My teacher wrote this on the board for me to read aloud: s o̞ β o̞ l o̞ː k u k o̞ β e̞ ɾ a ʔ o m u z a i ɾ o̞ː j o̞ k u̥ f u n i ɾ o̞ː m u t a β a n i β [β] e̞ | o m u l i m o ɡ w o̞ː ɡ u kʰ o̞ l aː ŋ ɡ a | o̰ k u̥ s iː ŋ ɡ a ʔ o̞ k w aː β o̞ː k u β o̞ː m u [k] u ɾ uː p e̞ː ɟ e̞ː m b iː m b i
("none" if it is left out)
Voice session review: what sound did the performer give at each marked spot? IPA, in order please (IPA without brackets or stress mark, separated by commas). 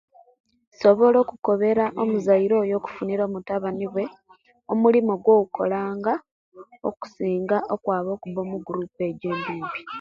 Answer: w, ɡ